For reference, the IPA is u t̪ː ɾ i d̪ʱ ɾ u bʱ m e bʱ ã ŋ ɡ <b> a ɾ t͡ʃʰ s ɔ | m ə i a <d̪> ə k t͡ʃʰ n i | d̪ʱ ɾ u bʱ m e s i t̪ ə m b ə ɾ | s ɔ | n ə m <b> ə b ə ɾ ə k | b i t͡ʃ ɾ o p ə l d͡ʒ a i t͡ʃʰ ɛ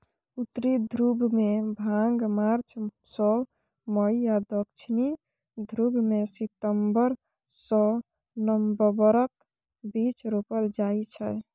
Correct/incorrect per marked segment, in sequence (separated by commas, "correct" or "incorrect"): incorrect, correct, correct